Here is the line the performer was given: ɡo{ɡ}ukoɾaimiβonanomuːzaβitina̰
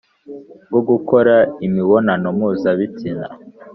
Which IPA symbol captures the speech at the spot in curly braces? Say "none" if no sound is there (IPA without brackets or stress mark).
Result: ɡ